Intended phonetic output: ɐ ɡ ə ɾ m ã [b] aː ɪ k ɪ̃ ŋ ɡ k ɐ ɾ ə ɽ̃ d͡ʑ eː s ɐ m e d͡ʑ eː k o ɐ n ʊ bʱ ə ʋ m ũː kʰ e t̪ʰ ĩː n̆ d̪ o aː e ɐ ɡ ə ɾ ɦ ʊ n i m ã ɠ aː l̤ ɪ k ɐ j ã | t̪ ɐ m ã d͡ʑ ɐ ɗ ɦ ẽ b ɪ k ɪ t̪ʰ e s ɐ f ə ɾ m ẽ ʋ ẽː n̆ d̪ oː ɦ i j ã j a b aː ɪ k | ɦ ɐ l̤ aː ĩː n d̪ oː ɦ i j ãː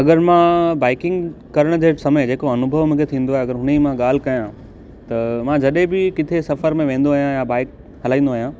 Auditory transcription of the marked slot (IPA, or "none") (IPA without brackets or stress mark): b